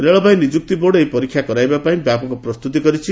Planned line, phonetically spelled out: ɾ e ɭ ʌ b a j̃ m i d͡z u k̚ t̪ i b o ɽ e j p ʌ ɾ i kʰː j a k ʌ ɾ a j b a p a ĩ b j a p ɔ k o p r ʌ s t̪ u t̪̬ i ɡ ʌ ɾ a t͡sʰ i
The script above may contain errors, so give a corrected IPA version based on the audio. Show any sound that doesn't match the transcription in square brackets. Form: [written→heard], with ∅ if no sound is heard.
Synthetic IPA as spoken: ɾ e ɭ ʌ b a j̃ [m→n] i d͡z u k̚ t̪ i b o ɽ e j p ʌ ɾ i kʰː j a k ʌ ɾ a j b a p a ĩ b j a p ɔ k o p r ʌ s t̪ u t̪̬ i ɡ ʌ ɾ [a→i] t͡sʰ i